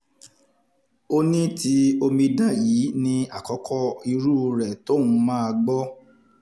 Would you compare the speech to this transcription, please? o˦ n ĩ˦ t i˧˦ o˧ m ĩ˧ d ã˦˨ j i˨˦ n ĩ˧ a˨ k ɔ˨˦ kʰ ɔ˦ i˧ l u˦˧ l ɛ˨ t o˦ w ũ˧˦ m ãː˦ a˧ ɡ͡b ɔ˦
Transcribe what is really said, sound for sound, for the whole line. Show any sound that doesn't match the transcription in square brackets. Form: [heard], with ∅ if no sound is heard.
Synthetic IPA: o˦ n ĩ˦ t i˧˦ o˧ m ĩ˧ d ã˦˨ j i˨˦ n ĩ˧ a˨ k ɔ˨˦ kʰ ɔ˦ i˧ [ɾ] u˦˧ [ɾ] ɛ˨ t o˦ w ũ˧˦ m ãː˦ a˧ ɡ͡b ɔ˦